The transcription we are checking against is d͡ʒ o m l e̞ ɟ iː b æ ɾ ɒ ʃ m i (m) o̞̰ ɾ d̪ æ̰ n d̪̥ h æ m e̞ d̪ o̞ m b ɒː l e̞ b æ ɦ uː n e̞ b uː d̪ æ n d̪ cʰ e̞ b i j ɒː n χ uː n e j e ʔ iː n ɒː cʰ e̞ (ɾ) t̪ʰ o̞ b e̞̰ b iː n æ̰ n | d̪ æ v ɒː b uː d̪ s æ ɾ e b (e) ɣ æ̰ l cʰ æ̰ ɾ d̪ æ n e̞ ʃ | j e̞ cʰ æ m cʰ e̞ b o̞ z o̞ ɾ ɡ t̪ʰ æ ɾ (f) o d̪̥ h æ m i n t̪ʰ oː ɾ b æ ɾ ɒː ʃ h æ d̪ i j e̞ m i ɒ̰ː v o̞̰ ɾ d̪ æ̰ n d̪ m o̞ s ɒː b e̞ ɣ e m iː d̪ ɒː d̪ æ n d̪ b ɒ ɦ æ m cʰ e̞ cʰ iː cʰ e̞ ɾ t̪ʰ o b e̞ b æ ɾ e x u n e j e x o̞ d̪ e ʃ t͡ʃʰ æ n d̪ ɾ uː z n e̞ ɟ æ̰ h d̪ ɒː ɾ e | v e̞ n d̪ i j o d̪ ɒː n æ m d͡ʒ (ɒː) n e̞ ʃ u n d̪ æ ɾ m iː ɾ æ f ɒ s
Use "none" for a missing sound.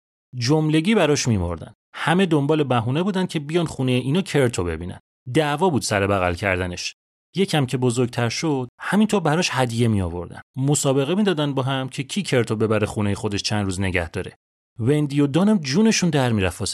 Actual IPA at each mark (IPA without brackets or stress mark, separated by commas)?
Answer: m, ɾ, æ, ʃ, uː